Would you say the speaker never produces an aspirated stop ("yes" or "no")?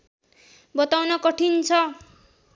no